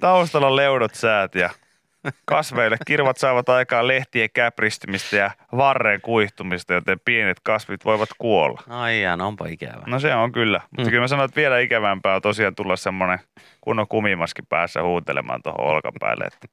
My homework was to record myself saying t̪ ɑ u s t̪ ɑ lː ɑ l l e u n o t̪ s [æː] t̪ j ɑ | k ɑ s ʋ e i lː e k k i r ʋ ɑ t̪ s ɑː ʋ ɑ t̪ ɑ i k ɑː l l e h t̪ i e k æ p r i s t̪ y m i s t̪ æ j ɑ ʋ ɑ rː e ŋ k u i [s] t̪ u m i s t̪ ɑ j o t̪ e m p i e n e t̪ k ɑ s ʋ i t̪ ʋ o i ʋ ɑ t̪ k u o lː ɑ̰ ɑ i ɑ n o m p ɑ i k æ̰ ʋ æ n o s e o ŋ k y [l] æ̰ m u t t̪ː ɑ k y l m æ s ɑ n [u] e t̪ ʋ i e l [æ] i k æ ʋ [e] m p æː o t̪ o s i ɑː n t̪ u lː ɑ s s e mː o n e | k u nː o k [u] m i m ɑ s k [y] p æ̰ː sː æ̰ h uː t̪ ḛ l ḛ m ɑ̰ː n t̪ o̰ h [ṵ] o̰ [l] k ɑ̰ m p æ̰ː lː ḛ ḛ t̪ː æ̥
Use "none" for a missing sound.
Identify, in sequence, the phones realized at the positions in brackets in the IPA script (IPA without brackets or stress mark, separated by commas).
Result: æː, h, lː, o, æ, æ, u, i, o̰, l